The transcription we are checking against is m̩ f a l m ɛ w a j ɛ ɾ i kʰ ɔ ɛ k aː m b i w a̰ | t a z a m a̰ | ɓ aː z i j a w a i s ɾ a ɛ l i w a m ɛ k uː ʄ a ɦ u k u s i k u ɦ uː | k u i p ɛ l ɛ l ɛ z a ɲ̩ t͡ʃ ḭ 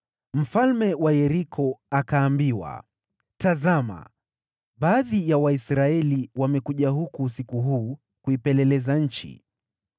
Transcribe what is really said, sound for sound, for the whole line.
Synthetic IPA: m̩ f a l m ɛ w a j ɛ ɾ i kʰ ɔ a k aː m b i w a̰ | t a z a m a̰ | ɓ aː ð i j a w a i s ɾ a ɛ l i w a m ɛ k u ʄ a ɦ u k u s i k u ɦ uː | k u i p ɛ l ɛ l ɛ z a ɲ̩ t͡ʃ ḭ